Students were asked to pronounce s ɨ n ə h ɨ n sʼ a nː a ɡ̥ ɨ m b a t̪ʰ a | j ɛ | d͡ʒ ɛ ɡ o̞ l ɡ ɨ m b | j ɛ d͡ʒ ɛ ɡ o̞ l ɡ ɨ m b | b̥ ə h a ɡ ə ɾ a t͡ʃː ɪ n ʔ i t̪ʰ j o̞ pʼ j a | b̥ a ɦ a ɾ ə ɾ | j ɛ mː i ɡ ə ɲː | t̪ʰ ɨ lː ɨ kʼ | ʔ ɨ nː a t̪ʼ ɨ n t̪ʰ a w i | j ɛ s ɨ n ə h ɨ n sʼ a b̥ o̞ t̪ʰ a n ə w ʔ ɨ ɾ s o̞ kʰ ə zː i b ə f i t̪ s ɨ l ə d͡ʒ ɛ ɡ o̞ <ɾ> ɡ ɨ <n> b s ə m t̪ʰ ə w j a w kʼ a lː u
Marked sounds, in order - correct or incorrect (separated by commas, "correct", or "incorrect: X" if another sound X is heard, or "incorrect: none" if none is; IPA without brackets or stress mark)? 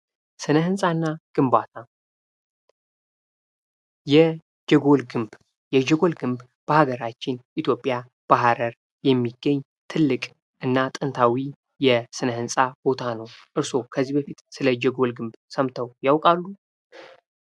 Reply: incorrect: l, incorrect: m